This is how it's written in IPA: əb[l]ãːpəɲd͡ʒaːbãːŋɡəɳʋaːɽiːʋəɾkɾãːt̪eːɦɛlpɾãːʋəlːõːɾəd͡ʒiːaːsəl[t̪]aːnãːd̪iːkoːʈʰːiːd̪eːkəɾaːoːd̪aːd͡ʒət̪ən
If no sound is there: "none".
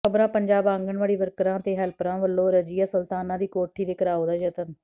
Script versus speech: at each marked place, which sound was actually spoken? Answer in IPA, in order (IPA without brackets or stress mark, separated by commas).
ɾ, t̪